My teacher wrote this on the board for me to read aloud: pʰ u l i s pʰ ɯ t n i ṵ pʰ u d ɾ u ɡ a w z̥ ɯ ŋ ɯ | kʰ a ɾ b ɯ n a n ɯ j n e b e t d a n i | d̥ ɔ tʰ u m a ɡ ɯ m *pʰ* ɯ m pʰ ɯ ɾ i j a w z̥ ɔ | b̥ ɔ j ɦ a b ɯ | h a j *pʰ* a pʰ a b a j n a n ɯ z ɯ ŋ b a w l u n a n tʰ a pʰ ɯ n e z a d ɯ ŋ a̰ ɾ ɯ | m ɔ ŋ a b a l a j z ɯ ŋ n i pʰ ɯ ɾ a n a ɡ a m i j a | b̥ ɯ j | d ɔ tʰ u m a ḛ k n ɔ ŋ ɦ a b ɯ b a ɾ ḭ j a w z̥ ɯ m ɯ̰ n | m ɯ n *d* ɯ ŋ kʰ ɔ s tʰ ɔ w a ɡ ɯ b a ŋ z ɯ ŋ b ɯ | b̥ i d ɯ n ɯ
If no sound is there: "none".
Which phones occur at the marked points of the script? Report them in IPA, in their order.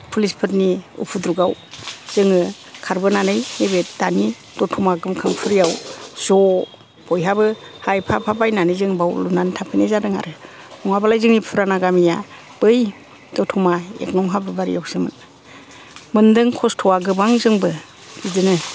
kʰ, pʰ, d

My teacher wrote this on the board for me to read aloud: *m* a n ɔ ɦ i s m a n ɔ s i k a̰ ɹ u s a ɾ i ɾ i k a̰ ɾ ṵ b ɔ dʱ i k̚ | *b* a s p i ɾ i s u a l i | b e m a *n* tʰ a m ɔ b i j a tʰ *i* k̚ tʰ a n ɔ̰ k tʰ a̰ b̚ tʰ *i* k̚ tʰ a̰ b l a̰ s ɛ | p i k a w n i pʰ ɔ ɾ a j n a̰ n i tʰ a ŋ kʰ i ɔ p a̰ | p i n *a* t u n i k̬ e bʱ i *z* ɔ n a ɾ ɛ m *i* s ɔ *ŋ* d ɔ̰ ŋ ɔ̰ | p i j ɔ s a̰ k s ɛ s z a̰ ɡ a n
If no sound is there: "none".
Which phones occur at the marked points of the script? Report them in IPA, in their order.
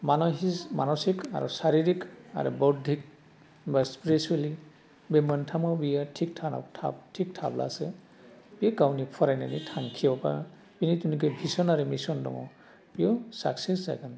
m, b, n, i, i, i, s, i, n

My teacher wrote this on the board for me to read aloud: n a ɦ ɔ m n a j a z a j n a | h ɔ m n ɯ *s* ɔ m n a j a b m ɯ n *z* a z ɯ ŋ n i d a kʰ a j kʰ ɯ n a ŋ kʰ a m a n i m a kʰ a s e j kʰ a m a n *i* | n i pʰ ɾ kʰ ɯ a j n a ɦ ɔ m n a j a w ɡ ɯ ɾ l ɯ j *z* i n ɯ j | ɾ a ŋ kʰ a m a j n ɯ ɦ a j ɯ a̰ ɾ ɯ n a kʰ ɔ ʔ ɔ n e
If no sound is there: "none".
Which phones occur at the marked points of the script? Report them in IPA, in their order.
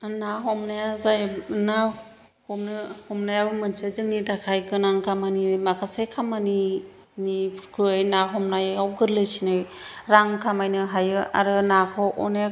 h, s, i, s

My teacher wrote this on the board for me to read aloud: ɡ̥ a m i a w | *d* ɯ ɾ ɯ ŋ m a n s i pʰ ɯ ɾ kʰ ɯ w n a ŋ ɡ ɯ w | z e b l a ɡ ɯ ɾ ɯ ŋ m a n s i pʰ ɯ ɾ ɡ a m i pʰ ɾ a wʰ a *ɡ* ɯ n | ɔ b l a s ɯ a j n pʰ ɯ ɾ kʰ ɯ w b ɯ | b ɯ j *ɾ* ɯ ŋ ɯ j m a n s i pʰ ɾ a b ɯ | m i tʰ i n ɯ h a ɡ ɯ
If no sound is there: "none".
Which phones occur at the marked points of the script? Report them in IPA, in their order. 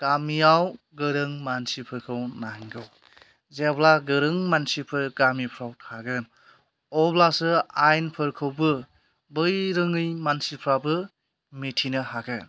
ɡ, ɡ, ɾ

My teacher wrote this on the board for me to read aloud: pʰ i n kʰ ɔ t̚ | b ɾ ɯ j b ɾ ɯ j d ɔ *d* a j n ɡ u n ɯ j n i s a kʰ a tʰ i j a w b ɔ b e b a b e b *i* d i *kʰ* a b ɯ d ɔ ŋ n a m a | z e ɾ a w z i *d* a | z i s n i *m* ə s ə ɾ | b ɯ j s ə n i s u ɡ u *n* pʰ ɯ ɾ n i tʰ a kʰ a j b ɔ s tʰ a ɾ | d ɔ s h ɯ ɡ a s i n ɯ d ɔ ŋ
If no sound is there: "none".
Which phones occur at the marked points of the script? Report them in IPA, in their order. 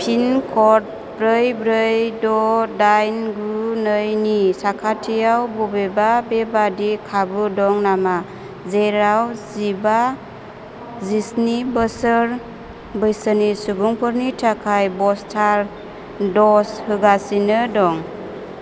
d, a, kʰ, b, b, ŋ

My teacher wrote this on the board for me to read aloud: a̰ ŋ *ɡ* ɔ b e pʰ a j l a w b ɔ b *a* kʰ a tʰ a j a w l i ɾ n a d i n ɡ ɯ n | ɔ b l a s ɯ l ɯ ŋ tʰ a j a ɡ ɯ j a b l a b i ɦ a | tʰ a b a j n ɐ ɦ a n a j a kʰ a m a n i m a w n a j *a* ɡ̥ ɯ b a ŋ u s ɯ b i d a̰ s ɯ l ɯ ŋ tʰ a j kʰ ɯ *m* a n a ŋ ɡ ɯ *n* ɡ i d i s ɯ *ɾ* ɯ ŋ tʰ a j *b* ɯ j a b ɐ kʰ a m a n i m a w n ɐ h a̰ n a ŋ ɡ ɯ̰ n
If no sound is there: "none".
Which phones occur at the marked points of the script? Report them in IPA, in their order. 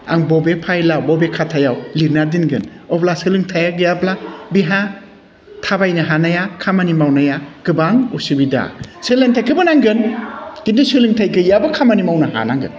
b, e, a, b, n, l, ɡ

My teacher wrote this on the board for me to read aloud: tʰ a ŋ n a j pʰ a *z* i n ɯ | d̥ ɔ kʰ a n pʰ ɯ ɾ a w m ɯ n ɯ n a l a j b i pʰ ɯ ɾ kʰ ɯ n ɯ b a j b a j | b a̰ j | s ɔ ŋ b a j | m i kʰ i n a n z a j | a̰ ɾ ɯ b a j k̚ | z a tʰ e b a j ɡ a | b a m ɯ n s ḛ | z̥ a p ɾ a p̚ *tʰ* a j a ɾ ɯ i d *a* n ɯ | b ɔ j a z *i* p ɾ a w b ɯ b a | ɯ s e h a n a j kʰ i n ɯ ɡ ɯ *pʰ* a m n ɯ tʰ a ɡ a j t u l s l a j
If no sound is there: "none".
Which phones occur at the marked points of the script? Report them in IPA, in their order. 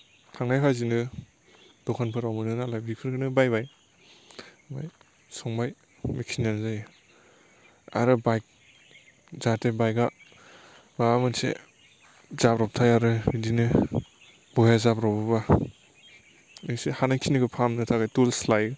z, tʰ, i, a, pʰ

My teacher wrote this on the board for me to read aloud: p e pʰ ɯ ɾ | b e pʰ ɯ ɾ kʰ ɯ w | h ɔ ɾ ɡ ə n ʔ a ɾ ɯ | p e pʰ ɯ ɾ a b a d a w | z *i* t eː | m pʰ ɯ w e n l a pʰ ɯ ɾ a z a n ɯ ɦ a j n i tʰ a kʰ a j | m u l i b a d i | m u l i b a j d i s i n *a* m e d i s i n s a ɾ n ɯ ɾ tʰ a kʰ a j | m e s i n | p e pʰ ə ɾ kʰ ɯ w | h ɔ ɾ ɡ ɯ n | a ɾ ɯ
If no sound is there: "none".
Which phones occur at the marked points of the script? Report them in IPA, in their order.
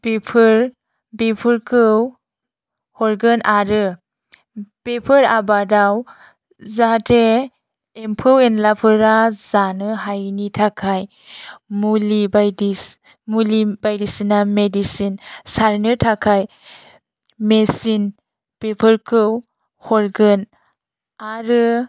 a, a

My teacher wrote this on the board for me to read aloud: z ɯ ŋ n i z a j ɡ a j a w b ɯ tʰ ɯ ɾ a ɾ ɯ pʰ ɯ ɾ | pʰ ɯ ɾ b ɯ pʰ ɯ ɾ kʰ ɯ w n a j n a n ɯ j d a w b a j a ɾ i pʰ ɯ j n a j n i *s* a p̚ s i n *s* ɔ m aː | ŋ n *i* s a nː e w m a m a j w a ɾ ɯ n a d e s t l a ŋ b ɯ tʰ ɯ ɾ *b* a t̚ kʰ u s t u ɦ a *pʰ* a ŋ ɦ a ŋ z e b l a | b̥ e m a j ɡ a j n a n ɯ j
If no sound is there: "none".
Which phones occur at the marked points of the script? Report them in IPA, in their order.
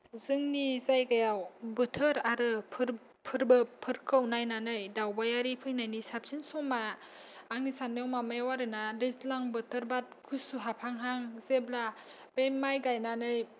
s, s, i, b, pʰ

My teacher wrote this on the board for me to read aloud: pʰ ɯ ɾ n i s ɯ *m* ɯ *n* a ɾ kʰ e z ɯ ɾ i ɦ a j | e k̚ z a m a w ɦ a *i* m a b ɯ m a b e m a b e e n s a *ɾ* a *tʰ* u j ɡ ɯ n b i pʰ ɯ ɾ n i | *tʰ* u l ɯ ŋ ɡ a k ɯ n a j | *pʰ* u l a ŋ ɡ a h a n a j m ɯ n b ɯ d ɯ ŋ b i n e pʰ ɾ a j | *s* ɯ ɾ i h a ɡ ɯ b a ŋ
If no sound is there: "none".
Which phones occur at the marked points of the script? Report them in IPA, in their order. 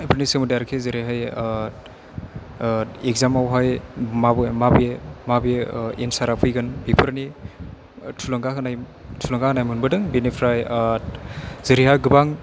m, d, j, ɾ, pʰ, tʰ, tʰ, z

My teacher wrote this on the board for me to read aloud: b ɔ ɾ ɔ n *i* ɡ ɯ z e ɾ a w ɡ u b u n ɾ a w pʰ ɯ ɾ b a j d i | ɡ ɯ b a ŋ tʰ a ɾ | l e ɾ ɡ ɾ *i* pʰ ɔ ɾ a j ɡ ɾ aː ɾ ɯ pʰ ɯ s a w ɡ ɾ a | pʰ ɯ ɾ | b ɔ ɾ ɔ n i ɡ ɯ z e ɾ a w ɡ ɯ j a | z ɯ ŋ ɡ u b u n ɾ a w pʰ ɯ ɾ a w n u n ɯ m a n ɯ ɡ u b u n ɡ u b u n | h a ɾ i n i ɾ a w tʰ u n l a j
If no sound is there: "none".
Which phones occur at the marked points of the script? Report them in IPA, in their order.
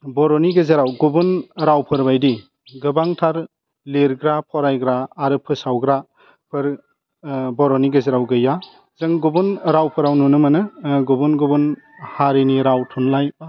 i, a

